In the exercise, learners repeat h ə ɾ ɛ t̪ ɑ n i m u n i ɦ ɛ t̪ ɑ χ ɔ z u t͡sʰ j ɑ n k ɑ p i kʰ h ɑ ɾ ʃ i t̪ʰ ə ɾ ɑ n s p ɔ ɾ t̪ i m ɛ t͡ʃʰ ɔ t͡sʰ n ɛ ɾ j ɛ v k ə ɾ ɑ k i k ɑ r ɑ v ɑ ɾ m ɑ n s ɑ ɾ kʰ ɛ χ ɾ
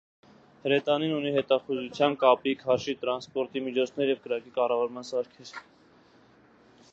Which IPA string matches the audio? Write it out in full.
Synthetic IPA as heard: h ə ɾ ɛ t̪ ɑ n i n u n i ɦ ɛ t̪ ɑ χ u z u t͡sʰ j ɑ n k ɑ p i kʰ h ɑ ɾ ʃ i t̪ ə ɾ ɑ n s p ɔ ɾ t̪ i m i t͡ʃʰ ɔ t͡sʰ n ɛ ɾ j ɛ v k ə ɾ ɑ k i k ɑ r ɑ v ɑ ɾ m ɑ n s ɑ ɾ kʰ ɛ ɾ